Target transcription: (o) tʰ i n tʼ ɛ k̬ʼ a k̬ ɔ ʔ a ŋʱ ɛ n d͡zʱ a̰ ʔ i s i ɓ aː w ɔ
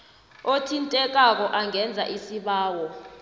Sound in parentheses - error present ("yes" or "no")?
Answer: no